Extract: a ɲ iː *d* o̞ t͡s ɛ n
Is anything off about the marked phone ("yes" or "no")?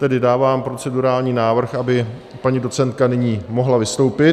no